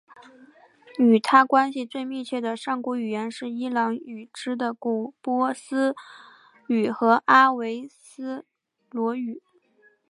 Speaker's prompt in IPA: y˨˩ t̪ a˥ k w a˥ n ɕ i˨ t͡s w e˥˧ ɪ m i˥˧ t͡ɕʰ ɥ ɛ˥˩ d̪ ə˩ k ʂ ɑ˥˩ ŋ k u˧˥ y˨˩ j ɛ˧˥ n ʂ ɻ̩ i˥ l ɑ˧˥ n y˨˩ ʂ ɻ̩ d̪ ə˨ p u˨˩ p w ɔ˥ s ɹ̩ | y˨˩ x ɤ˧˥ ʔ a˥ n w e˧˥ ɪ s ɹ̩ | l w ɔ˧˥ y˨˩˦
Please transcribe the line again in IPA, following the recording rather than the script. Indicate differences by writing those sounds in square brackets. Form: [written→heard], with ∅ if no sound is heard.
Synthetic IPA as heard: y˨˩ [t̪→t̪ʰ] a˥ k w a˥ n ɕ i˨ t͡s w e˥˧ ɪ m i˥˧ t͡ɕʰ ɥ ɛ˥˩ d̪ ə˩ [k→∅] ʂ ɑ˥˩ ŋ k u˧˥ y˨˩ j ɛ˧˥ n ʂ ɻ̩ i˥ l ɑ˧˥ [n→ŋ] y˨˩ [ʂ→ʈ͡ʂ] ɻ̩ d̪ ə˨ [p→k] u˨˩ p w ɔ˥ s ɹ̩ | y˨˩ x ɤ˧˥ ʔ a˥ [n→∅] w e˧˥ ɪ s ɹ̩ | l w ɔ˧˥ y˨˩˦